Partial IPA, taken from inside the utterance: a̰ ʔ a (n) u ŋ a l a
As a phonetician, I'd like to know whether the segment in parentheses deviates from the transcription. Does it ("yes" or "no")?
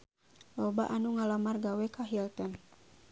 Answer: no